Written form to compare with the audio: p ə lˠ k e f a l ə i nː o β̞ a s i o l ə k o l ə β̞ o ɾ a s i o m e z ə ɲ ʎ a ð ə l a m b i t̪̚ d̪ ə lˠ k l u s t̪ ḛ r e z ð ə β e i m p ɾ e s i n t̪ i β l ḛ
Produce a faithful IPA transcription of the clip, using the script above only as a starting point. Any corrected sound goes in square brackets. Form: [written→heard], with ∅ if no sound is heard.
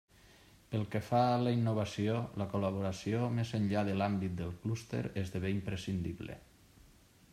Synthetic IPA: p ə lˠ k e f a l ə i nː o β̞ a s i o l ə k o l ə β̞ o ɾ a s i o m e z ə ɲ ʎ a ð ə l a m b i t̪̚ d̪ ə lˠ k l u s t̪ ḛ [r→ɾ] e z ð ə β e i m p ɾ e s i n [t̪→d̪] i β l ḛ